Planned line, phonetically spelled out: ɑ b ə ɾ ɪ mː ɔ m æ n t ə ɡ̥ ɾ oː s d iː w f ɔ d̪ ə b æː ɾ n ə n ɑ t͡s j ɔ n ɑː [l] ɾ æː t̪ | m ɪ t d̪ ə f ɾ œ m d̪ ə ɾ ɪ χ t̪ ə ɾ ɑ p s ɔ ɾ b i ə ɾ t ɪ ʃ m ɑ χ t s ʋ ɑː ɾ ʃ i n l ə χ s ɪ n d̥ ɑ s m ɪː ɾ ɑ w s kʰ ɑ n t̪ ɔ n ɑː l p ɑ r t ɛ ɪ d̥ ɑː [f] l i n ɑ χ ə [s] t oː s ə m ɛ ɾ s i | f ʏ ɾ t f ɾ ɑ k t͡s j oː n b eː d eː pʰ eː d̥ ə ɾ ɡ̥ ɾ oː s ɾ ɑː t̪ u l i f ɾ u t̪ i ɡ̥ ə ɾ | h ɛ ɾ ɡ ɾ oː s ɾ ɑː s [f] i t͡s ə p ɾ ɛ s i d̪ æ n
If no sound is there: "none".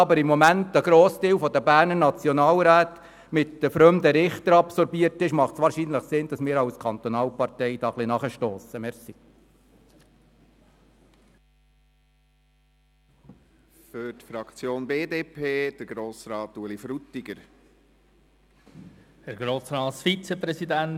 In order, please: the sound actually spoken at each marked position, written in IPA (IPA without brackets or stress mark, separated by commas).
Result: l, χ, ʃ, f